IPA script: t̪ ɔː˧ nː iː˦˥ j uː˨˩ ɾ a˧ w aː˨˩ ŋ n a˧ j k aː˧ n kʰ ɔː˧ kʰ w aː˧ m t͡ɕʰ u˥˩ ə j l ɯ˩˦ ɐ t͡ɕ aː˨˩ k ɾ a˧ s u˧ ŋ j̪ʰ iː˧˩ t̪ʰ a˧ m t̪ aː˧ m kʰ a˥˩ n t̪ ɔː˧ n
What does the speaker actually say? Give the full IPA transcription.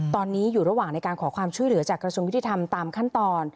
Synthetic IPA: t̪ ɔː˧ nː iː˦˥ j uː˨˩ ɾ a˧ w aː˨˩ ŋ n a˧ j k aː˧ n kʰ ɔː˩˦ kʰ w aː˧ m t͡ɕʰ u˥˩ ə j l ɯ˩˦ ɐ t͡ɕ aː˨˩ k ɾ a˧ s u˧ ŋ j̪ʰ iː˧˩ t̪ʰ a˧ m t̪ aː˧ m kʰ a˥˩ n t̪ ɔː˧ n